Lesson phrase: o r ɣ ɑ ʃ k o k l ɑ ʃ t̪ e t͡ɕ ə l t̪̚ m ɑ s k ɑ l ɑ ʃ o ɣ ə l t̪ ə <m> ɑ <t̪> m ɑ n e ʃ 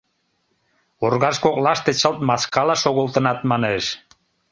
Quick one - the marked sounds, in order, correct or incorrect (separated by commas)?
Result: incorrect, correct